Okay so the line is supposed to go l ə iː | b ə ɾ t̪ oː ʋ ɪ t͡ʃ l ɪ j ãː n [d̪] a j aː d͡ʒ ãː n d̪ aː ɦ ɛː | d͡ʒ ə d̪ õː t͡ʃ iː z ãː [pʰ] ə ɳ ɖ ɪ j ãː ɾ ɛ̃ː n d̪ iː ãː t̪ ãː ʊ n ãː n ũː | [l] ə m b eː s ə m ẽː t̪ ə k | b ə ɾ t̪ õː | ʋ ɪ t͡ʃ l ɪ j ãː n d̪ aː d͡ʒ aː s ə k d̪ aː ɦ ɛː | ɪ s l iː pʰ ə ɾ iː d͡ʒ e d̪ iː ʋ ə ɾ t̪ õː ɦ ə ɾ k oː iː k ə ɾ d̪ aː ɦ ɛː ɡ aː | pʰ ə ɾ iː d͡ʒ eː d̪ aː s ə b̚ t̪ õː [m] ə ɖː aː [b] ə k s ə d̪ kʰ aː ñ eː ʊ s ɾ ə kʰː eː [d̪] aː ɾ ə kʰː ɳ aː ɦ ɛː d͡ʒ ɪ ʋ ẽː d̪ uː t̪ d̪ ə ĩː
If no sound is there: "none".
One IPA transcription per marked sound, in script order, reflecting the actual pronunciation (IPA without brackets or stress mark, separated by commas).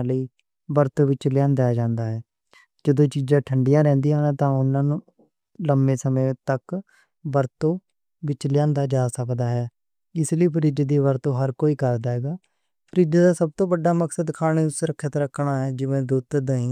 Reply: d̪, ʈʰ, l, b, m, t̪